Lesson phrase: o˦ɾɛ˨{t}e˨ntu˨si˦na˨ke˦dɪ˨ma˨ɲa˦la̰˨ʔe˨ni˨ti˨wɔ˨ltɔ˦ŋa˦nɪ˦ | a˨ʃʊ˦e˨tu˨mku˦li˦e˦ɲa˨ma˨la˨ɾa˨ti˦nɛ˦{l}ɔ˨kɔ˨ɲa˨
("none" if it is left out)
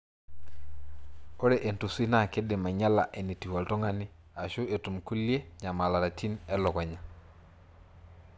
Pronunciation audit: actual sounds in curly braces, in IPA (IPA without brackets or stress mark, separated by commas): ʔ, l